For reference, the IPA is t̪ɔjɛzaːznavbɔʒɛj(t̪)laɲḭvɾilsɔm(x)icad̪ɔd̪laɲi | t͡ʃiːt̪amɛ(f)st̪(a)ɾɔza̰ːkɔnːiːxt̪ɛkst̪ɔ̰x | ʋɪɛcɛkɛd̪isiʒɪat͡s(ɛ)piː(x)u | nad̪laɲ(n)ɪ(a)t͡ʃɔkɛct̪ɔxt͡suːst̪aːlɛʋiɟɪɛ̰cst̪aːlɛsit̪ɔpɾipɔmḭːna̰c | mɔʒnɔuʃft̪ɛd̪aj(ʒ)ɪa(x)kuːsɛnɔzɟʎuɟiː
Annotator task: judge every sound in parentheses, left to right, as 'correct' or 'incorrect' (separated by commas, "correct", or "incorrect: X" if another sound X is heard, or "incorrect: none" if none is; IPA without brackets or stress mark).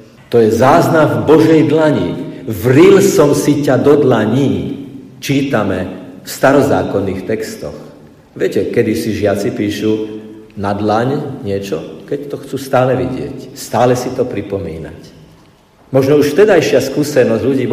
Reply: incorrect: d̪, incorrect: s, correct, correct, incorrect: i, incorrect: ʃ, incorrect: ɲ, incorrect: ɛ, incorrect: ʃ, incorrect: s